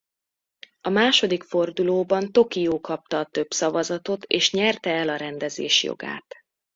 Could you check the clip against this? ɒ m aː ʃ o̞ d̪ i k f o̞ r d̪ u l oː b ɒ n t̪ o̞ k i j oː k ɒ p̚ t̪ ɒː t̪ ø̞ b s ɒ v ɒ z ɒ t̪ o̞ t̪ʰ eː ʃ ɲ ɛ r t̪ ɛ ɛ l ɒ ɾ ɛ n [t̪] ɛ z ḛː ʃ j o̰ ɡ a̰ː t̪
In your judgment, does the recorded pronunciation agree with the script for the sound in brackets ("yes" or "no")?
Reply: no